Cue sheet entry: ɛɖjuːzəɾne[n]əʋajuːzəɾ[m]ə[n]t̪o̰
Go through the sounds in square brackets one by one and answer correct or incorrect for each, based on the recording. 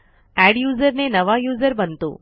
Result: correct, incorrect: b, correct

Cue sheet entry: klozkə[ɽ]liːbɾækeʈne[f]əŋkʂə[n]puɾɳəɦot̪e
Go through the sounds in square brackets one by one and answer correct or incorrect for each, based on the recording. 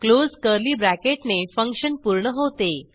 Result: incorrect: ɾ, correct, correct

